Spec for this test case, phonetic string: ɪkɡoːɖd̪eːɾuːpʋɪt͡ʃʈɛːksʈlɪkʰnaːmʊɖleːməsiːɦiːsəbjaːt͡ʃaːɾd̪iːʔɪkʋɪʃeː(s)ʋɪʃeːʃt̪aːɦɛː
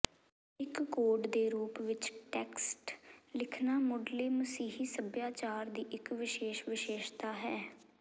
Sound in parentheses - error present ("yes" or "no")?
yes